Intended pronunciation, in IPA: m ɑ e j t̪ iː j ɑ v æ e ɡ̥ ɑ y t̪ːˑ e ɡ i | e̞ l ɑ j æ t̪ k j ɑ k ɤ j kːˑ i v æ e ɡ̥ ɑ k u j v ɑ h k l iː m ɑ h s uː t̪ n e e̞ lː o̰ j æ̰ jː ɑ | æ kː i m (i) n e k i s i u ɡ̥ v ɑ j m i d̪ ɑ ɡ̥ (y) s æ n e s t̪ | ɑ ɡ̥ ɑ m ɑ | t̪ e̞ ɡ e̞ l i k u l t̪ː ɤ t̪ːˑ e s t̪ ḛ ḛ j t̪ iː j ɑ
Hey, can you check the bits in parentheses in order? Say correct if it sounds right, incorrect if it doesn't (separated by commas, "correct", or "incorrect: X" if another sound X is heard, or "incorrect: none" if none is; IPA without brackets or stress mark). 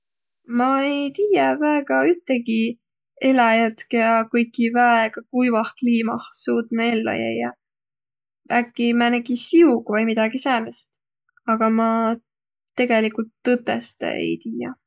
incorrect: æ, incorrect: i